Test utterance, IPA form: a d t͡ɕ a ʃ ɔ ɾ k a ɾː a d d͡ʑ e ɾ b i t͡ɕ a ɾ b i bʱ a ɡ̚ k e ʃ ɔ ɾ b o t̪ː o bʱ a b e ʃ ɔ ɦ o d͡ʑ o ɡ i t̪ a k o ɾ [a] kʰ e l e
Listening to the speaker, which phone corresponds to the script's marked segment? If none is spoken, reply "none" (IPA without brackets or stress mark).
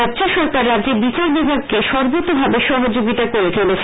e